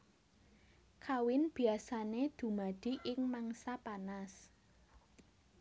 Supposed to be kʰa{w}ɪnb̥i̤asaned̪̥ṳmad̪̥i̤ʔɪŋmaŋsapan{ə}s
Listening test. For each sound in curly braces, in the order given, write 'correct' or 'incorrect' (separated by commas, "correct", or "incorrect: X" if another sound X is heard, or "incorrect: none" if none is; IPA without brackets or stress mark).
correct, incorrect: a